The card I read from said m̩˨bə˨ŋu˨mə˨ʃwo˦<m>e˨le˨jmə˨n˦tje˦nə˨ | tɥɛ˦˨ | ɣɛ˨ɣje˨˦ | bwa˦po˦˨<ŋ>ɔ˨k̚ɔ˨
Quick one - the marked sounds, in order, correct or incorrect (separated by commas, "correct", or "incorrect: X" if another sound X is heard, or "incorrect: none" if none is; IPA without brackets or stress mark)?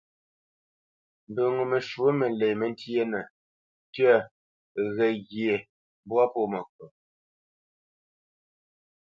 correct, incorrect: m